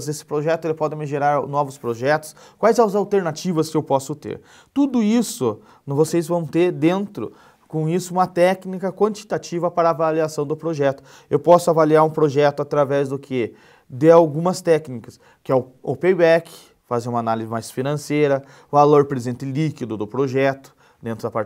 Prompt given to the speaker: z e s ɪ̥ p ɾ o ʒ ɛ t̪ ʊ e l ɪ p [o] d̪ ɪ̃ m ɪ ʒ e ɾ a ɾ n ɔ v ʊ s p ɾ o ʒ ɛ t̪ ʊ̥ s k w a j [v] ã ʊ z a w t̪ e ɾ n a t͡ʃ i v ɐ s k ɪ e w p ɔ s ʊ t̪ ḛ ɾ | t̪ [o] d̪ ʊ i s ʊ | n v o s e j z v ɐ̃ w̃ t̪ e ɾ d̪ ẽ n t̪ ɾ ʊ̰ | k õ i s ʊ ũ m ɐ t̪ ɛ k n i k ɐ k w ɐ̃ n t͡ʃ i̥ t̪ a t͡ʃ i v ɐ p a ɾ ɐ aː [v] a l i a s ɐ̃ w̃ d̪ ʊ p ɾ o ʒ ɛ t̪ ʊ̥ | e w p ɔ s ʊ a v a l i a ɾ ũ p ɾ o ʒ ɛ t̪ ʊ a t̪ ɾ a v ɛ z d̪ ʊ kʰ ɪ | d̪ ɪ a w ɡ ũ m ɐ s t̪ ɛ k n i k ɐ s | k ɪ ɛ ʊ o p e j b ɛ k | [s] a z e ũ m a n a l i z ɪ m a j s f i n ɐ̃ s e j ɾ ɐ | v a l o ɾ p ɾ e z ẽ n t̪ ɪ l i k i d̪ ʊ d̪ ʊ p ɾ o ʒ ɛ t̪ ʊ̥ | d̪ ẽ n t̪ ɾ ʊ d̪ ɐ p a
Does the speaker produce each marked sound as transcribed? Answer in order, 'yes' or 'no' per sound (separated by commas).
no, no, no, yes, no